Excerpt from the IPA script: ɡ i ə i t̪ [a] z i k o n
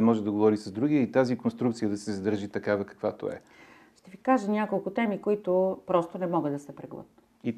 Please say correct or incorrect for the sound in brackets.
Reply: correct